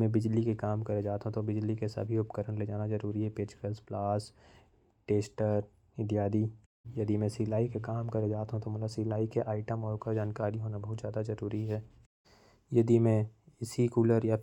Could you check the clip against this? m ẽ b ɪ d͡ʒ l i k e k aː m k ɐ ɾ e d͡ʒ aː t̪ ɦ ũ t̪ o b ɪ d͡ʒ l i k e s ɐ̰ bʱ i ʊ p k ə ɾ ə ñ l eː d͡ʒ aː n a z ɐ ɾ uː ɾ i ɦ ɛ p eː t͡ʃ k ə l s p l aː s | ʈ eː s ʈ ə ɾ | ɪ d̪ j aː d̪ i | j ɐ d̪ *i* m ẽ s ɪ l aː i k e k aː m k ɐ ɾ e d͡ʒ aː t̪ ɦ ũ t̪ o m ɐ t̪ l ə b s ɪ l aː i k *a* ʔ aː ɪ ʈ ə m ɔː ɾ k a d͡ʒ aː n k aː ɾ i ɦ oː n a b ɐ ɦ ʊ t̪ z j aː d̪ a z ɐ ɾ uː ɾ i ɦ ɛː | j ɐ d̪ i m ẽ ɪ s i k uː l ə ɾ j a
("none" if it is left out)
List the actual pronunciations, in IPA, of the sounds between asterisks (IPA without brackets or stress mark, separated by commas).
i, e